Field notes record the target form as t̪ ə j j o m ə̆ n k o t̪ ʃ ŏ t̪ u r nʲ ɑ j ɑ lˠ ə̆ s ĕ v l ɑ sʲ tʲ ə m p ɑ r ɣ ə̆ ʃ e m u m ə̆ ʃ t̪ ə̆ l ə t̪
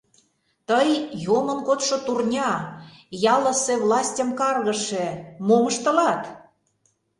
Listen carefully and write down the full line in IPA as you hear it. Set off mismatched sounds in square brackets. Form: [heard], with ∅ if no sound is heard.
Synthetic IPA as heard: t̪ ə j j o m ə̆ n k o t̪ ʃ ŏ t̪ u r nʲ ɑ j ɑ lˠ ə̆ s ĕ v l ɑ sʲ tʲ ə m [k] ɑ r ɣ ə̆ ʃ e m [o] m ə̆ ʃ t̪ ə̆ l [ɑ] t̪

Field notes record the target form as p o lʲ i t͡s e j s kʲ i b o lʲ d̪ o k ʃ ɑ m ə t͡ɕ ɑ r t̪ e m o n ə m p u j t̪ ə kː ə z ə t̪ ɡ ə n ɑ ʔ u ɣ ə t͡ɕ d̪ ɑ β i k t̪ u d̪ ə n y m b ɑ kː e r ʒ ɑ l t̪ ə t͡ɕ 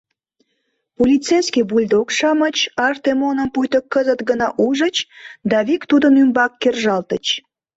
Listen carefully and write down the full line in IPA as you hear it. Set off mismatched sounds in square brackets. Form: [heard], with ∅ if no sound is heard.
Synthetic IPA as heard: p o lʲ i t͡s e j s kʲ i b [u] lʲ d̪ o k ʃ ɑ m ə t͡ɕ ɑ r t̪ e m o n ə m p u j t̪ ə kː ə z ə t̪ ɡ ə n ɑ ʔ u [ʒ] ə t͡ɕ d̪ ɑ β i k t̪ u d̪ ə n y m b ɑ kː e r ʒ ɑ l t̪ ə t͡ɕ

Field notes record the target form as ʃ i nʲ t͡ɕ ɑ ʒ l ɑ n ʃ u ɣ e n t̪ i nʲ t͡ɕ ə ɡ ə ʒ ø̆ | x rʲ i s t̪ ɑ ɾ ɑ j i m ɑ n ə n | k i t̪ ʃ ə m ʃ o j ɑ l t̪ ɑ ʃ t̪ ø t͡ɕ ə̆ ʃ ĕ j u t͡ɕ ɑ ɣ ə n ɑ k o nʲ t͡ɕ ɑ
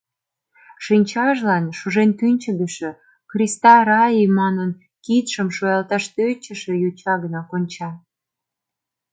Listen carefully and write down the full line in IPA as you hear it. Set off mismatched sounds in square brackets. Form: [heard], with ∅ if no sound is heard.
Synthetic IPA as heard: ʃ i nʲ t͡ɕ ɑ ʒ l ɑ n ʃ u [ʒ] e n t̪ [y] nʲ t͡ɕ ə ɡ ə [ʃ] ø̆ | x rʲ i s t̪ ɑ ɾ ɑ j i m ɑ n ə n | k i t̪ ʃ ə m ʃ o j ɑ l t̪ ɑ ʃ t̪ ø t͡ɕ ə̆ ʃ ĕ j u t͡ɕ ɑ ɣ ə n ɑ k o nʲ t͡ɕ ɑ

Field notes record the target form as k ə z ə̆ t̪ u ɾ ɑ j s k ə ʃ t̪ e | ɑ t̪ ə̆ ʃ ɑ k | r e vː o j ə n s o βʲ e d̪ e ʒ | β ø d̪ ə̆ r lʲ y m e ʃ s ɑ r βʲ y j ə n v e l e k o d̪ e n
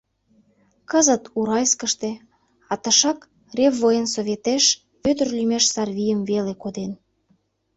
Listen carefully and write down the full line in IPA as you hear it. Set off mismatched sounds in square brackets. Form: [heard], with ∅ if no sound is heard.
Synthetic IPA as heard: k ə z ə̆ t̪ u ɾ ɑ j s k ə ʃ t̪ e | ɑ t̪ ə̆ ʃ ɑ k | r e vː o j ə n s o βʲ e [t̪] e [ʃ] | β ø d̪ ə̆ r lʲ y m e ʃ s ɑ r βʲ [i] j ə [m] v e l e k o d̪ e n

